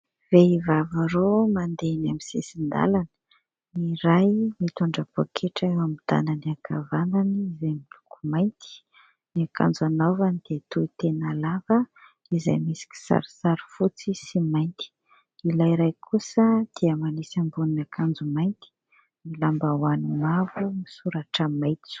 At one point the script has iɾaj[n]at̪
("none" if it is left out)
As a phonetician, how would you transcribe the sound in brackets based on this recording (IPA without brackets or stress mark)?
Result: m